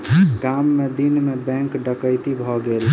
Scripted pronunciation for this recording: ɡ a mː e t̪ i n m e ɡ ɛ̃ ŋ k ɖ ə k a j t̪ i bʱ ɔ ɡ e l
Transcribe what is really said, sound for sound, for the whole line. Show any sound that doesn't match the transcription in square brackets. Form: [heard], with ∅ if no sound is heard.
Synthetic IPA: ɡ a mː e [d̪] i n m e [b] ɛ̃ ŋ k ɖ ə k [ə] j t̪ i bʱ ɔ ɡ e l